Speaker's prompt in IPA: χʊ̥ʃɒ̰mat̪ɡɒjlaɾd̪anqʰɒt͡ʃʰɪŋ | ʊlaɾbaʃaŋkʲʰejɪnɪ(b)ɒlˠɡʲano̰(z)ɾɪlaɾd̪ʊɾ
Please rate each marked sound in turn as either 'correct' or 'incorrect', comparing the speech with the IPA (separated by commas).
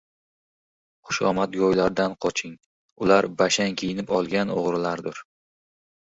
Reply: incorrect, incorrect